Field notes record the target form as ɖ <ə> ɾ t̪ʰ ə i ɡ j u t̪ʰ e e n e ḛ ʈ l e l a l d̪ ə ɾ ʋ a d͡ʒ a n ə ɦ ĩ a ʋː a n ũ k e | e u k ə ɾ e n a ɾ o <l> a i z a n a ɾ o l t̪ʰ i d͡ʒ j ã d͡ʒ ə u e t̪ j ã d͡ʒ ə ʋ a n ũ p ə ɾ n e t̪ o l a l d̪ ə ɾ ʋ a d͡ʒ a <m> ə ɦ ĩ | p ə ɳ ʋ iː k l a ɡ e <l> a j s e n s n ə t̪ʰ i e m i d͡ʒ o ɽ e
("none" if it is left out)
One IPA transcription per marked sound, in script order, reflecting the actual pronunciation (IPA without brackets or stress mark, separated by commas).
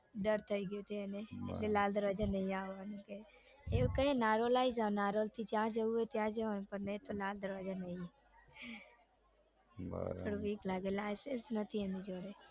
ə, l, n, l